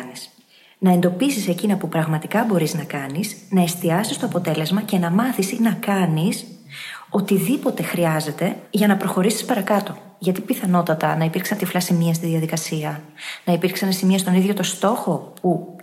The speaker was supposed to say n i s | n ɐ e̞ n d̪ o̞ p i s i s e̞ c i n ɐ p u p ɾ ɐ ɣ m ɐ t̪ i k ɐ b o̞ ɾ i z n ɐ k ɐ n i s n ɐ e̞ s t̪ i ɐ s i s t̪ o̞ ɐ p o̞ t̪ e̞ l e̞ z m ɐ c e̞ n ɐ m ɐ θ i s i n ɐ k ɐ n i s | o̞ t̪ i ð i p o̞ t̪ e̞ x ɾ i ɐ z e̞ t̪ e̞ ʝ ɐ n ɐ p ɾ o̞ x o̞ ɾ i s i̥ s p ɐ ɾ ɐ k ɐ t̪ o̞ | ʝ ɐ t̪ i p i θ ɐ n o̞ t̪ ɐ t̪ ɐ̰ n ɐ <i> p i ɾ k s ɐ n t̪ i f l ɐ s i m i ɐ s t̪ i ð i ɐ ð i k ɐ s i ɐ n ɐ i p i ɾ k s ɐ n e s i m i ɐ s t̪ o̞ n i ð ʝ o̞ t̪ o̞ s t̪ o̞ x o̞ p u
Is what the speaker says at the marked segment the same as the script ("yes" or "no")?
yes